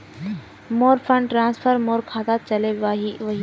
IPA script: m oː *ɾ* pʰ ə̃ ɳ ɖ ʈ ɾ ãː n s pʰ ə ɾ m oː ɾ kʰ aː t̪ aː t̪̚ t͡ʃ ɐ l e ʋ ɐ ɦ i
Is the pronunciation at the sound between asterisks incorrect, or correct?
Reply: correct